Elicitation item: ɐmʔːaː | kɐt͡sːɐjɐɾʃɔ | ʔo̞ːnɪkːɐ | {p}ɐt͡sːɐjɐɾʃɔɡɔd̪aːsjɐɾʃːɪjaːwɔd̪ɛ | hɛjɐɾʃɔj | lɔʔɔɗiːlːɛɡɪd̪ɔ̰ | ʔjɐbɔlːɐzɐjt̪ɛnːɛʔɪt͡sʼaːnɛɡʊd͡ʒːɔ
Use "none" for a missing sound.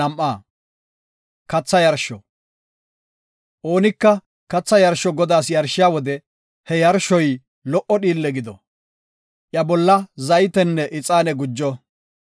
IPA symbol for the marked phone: k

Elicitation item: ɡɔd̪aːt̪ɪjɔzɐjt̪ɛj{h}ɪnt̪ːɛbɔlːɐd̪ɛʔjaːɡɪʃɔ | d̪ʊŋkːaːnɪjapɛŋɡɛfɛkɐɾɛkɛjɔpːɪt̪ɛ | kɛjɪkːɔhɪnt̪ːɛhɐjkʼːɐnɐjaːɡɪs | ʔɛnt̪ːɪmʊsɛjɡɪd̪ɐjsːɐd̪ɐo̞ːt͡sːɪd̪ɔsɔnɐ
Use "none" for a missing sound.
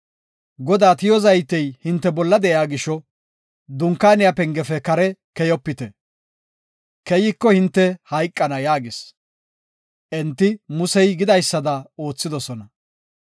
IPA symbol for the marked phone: h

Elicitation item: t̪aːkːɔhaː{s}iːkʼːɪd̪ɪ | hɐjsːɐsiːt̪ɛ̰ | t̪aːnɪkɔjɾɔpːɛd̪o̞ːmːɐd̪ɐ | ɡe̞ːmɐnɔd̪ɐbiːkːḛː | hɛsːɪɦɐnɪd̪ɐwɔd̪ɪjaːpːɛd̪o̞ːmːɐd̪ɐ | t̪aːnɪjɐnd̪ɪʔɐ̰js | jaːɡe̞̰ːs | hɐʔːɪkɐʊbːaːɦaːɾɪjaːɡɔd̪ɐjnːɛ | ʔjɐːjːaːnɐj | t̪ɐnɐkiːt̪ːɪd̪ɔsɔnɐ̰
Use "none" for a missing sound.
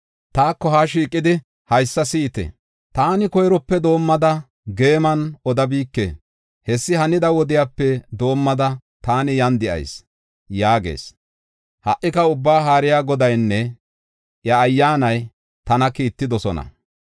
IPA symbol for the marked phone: ʃ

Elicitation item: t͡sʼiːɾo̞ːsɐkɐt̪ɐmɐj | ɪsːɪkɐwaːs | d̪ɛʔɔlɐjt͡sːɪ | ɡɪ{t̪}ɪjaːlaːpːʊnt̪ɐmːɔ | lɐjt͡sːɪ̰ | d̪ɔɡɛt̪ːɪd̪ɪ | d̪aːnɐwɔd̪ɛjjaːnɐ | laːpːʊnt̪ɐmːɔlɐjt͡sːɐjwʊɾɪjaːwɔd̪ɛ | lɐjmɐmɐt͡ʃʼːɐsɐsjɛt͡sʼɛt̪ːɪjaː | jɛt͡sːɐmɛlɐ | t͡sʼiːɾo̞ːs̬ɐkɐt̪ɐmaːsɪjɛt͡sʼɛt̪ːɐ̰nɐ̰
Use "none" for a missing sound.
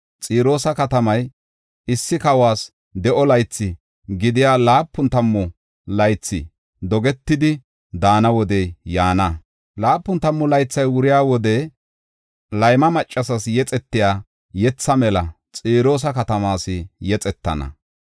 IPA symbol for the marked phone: d̪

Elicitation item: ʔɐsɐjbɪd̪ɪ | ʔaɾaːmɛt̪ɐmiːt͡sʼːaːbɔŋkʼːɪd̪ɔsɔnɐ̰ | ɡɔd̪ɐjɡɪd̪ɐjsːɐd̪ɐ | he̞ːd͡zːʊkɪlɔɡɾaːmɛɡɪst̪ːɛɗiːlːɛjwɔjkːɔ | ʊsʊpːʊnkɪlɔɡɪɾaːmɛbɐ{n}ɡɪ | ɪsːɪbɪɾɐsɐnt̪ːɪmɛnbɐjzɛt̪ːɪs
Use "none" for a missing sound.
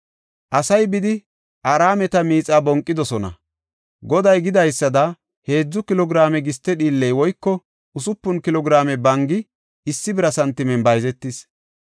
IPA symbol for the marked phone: ŋ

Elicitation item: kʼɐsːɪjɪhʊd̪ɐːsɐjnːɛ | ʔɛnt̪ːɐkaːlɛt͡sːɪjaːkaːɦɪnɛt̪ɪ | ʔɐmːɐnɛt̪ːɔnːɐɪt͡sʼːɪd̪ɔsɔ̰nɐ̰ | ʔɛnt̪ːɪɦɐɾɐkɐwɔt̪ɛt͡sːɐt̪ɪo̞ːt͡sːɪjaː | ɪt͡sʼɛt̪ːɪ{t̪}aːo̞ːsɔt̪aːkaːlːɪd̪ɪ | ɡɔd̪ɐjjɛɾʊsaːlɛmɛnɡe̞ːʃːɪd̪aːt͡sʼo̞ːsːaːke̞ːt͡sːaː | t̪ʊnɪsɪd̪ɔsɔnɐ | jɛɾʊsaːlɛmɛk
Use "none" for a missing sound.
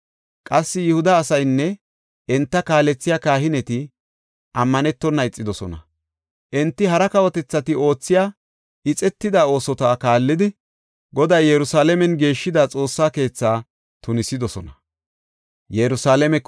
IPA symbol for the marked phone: d̪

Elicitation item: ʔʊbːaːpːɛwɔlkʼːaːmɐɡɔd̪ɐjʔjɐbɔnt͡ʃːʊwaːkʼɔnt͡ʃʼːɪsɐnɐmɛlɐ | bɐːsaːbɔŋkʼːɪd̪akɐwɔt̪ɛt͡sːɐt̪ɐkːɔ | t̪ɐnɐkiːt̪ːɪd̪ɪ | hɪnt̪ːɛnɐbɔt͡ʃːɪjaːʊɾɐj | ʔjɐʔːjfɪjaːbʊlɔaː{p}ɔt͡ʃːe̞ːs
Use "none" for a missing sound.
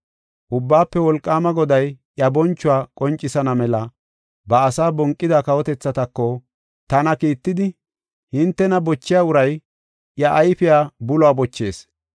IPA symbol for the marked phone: b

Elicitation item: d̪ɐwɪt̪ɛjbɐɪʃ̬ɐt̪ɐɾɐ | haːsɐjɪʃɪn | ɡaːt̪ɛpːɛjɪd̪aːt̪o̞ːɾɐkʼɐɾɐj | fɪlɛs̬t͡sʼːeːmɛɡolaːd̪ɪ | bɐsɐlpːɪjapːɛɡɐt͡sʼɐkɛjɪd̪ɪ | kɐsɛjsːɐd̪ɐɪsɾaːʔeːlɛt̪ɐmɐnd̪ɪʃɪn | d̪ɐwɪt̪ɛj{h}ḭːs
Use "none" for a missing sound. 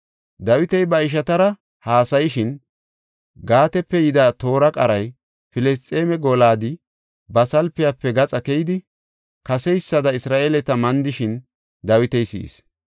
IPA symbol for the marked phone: s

